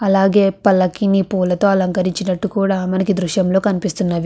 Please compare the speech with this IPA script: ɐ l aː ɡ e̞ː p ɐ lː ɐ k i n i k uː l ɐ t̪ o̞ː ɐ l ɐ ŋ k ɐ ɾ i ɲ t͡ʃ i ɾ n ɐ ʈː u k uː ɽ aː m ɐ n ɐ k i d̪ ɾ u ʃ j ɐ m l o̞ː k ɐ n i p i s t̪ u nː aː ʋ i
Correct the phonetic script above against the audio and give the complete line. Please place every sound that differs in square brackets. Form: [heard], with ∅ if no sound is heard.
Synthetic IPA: ɐ l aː ɡ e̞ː p ɐ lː ɐ k i n i [p] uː l ɐ t̪ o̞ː ɐ l ɐ ŋ k ɐ ɾ i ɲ t͡ʃ i [∅] n ɐ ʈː u k uː ɽ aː m ɐ n ɐ k i d̪ ɾ u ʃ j ɐ m l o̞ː k ɐ n i p i s t̪ u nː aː ʋ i